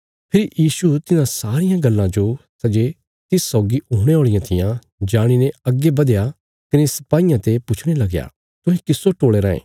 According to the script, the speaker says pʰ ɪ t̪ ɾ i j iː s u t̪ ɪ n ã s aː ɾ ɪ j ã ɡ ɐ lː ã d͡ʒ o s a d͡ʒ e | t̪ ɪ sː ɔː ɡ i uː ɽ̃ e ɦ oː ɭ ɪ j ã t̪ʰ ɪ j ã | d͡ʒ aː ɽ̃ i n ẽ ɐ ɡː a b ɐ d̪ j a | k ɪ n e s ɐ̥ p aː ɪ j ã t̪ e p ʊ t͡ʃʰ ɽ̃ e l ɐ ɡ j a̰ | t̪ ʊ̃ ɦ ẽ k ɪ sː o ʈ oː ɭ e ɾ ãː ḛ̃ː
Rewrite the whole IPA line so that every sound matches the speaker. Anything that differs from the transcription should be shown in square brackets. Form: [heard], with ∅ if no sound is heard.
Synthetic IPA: pʰ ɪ [∅] ɾ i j iː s u t̪ ɪ n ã s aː ɾ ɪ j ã ɡ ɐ lː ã d͡ʒ o s [ɐ] d͡ʒ e | t̪ ɪ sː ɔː ɡ i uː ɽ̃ e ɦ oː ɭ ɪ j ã t̪ʰ ɪ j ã | d͡ʒ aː ɽ̃ i n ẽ ɐ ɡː [e] b ɐ d̪ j a | k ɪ n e s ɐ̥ p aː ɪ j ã t̪ e p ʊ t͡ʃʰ ɽ̃ e l ɐ ɡ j a̰ | t̪ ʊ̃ ɦ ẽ k ɪ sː o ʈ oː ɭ e ɾ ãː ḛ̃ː